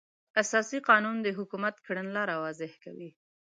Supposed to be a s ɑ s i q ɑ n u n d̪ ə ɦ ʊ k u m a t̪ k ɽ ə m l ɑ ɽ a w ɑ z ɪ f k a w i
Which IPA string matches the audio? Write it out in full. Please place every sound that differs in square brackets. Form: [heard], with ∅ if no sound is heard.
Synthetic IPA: a s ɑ s i q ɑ n u n d̪ ə ɦ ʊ k u m a t̪ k ɽ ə [n] l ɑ [ɾ] a w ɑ z ɪ [h] k a w i